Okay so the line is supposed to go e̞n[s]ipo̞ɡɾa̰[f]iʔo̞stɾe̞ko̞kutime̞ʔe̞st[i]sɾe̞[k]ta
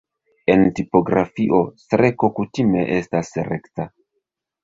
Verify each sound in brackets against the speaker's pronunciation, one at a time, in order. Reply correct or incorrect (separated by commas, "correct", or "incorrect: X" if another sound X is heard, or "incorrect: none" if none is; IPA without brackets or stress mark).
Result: incorrect: t, correct, incorrect: a, correct